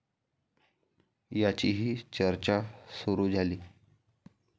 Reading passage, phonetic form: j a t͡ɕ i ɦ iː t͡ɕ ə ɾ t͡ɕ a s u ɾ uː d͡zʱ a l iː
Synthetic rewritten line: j a t͡ɕ i ɦ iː t͡ɕ ə ɾ t͡ɕ a s u ɾ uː d͡zʱ a l iː

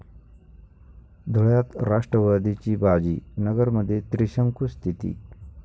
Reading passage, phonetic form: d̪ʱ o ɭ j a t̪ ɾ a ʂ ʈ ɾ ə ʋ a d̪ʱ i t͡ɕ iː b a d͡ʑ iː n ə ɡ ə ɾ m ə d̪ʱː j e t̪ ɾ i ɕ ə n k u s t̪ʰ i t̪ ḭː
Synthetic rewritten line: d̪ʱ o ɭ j a t̪ ɾ a ʂ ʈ ɾ ə ʋ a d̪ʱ i t͡ɕ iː b a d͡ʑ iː n ə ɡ ə ɾ m ə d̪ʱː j e t̪ ɾ i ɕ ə ŋ k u s t̪ʰ i t̪ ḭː

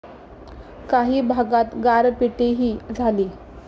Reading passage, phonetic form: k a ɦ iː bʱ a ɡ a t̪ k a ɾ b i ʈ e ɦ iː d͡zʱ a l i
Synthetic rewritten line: k a ɦ iː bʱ a ɡ a t̪ ɡ a ɾ p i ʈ e ɦ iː d͡zʱ a l iː

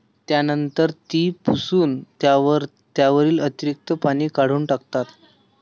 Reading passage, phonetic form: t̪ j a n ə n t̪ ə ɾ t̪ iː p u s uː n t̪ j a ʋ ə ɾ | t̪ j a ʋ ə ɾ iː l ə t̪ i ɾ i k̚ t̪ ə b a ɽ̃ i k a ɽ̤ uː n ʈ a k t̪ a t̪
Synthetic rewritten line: t̪ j a n ə n t̪ ə ɾ t̪ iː p u s uː n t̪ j a ʋ ə ɾ | t̪ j a ʋ ə ɾ iː l ə t̪ i ɾ i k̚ t̪ ə p a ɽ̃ iː k a ɽ̤ uː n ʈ a k t̪ a t̪

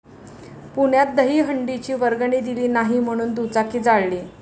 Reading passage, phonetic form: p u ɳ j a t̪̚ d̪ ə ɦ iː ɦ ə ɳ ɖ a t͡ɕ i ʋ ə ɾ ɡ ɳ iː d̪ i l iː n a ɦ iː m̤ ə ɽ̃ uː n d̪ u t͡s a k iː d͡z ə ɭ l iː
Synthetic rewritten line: p u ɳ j a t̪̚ d̪ ə ɦ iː ɦ ə ɳ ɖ i t͡ɕ iː ʋ ə ɾ ɡ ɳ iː d̪ i l iː n a ɦ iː m̤ ə ɽ̃ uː n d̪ u t͡s a k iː d͡z a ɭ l iː

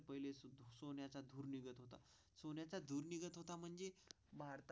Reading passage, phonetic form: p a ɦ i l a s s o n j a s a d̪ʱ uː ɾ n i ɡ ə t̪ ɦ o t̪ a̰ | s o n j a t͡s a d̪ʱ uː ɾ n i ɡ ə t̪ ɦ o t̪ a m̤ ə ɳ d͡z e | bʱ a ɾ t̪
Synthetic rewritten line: p ə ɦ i l e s s o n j a t͡s a d̪ʱ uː ɾ n i ɡ ə t̪ ɦ o t̪ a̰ | s o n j a t͡s a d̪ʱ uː ɾ n i ɡ ə t̪ ɦ o t̪ a m̤ ə ɳ d͡z e | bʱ a ɾ t̪

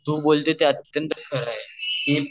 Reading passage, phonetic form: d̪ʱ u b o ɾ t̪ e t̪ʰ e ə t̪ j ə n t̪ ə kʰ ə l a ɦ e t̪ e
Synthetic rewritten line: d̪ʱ u b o l t̪ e t̪ e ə t̪ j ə n t̪ ə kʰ ə ɾ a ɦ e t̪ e

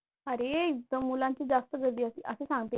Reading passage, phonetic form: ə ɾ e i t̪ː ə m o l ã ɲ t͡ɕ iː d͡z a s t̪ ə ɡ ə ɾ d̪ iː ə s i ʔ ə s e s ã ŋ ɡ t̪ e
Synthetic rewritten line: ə ɾ e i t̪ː ə m u l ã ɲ t͡ɕ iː d͡z a s t̪ ə ɡ ə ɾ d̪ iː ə s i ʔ ə s e s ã ŋ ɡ t̪ e

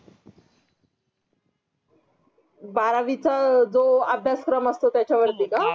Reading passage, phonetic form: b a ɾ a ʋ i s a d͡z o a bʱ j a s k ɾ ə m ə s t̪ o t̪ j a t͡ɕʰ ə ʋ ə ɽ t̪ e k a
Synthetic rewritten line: b a ɾ a ʋ i t͡s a d͡z o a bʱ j a s k ɾ ə m ə s t̪ o t̪ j a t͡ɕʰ a ʋ ə ɾ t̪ i k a

